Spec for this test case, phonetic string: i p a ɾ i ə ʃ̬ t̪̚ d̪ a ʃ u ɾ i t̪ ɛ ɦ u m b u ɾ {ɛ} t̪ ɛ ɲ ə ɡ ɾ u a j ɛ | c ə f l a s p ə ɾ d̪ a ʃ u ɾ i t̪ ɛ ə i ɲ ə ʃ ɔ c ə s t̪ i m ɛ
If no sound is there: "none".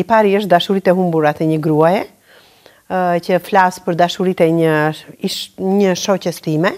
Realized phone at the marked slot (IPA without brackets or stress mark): a